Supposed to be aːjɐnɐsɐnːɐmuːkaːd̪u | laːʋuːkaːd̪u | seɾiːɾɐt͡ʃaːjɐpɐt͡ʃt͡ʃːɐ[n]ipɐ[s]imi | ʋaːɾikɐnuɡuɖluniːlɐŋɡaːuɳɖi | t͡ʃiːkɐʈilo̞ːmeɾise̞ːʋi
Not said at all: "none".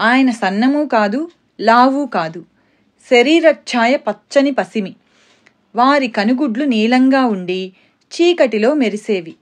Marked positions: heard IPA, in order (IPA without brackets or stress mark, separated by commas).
n, s